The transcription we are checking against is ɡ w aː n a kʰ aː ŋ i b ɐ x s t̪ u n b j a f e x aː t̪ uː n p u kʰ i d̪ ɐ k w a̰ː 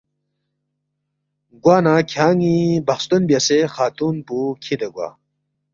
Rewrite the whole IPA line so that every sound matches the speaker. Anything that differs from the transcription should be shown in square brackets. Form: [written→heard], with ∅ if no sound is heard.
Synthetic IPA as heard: ɡ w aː n a kʰ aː ŋ i b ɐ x s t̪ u n b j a [f→s] e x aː t̪ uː n p u kʰ i d̪ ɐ [k→ɡ] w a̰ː